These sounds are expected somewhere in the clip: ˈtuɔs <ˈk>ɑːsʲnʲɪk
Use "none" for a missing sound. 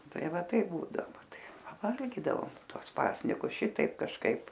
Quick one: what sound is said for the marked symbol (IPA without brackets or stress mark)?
p